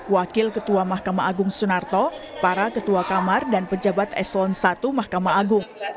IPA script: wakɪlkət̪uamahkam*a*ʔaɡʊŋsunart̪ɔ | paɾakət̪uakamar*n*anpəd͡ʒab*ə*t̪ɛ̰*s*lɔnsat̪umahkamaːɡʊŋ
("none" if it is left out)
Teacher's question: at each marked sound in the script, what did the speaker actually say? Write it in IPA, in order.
a, d, a, s

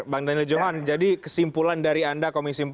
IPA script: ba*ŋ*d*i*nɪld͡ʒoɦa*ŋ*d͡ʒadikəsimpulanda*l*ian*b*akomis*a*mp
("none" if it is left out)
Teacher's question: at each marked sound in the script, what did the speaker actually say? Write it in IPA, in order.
ŋ, a, n, ɾ, d, i

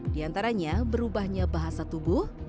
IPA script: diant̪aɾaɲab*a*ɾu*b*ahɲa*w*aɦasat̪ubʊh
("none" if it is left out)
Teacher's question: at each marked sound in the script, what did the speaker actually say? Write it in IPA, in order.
ə, b, b

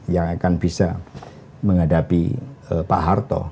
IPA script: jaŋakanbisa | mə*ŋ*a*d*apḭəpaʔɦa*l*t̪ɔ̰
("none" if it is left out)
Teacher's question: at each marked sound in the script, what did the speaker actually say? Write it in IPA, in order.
ŋ, d, r

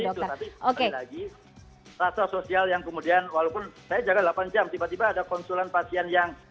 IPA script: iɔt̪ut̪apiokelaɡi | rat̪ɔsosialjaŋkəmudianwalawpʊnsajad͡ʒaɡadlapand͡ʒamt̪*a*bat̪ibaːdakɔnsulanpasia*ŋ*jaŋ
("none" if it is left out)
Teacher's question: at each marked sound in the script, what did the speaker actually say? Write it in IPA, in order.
i, n

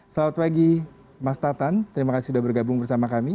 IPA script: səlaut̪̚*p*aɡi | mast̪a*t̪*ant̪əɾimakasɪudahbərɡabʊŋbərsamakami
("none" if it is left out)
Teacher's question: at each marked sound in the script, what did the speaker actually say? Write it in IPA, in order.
p, t̪

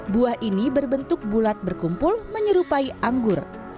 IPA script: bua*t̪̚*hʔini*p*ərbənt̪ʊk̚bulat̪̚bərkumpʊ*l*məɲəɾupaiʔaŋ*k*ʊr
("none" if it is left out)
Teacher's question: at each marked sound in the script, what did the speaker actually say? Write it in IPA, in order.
none, b, l, ɡ

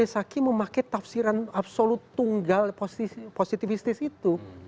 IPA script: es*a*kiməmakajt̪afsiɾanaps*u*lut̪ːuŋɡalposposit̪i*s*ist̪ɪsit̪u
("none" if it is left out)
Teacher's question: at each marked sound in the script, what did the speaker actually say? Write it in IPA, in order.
a, o, f

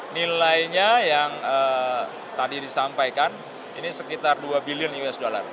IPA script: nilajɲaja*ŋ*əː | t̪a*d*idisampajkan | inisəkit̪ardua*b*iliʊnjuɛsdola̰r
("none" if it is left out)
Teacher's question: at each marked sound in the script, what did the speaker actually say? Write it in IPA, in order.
ŋ, d, b

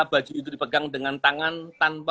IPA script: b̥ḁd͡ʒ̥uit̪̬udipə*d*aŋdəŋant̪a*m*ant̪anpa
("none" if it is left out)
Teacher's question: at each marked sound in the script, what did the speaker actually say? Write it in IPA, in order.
ɡ, ŋ

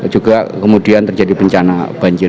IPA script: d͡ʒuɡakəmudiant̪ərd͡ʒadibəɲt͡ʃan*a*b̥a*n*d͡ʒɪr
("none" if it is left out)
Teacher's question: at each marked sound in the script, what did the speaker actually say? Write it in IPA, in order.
a, ɲ

